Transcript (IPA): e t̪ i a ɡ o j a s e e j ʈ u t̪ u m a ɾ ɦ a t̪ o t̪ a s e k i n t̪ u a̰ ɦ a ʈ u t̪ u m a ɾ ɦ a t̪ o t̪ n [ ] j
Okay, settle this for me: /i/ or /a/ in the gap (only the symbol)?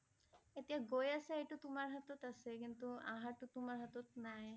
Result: a